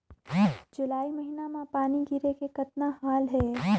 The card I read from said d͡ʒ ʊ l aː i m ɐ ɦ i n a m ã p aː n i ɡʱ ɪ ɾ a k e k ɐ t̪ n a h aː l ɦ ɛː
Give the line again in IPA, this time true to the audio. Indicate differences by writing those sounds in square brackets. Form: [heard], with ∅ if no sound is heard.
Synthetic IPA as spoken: d͡ʒ ʊ l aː i m ɐ ɦ i n a m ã p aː n i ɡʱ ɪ ɾ [e] k e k ɐ t̪ n a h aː l ɦ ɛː

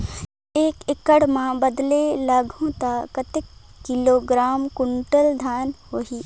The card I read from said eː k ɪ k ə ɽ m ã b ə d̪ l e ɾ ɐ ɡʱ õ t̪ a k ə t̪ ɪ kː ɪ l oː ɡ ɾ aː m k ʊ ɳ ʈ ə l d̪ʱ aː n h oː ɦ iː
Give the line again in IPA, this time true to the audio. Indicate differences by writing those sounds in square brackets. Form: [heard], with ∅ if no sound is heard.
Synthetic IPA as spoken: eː k ɪ k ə ɽ m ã b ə d̪ l e [l] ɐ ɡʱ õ t̪ a k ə t̪ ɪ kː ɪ l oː ɡ ɾ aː m k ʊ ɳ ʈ ə l d̪ʱ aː n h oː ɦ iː

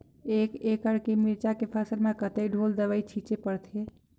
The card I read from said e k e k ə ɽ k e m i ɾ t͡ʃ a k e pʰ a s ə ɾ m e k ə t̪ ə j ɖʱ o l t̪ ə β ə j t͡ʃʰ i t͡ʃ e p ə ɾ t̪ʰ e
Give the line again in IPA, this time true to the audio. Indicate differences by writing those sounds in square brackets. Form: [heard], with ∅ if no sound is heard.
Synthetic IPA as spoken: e k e k ə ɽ k e m i ɾ t͡ʃ a k e pʰ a s ə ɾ m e k ə t̪ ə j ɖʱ o l [d̪] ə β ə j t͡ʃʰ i t͡ʃ e p ə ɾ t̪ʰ e

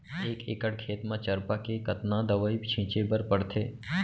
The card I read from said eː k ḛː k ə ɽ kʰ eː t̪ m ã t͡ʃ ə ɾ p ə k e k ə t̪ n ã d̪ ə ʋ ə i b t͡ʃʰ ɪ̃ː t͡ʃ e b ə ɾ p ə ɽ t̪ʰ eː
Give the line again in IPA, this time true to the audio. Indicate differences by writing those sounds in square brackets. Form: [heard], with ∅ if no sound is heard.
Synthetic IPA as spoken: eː k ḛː k ə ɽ kʰ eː t̪ m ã t͡ʃ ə ɾ p [a] k e k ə t̪ n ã d̪ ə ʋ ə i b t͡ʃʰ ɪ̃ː t͡ʃ e b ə ɾ p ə ɽ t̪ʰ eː

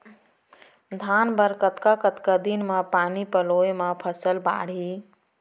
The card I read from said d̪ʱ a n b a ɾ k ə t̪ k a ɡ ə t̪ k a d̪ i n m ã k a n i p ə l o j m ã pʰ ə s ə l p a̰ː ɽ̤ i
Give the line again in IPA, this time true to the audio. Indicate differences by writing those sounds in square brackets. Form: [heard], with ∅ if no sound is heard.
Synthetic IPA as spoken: d̪ʱ a n b [ə] ɾ k ə t̪ k a [k] ə t̪ k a d̪ i n m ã [p] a n i p ə l o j m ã pʰ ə s ə l [b] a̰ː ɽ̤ i

